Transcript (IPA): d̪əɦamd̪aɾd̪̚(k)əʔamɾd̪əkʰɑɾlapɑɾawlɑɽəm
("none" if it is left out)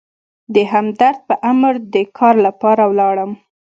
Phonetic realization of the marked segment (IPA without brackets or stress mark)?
p